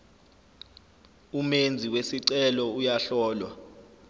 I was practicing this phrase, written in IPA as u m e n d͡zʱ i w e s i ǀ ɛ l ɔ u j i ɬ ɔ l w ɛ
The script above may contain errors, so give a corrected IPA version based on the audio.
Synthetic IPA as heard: u m e n d͡zʱ i w e s i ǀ ɛ l ɔ u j a ɬ ɔː l w a